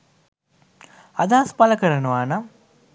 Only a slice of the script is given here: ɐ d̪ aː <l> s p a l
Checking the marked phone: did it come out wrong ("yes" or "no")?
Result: yes